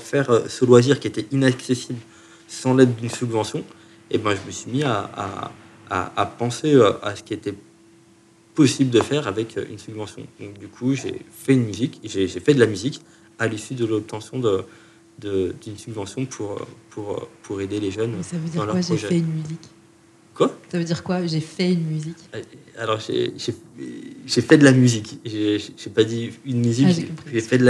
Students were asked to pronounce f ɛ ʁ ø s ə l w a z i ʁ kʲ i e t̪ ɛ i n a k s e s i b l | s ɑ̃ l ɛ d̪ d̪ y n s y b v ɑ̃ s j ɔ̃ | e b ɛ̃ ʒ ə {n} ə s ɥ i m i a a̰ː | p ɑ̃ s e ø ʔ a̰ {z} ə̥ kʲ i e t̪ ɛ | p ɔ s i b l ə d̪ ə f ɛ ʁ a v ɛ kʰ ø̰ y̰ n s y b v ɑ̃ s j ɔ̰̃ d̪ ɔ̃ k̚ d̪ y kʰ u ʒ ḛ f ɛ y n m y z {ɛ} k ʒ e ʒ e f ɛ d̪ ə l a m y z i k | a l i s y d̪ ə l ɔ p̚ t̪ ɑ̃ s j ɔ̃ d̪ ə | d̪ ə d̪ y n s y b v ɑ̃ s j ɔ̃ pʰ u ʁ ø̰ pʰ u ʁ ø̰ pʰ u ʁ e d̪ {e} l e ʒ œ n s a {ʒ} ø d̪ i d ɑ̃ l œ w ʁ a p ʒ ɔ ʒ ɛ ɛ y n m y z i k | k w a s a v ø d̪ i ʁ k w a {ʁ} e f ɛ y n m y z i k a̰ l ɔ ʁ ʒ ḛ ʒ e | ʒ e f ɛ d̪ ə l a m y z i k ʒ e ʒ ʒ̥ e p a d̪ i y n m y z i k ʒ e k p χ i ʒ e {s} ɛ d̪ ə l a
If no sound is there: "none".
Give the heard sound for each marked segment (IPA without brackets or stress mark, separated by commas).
m, s, i, e, v, ʒ, f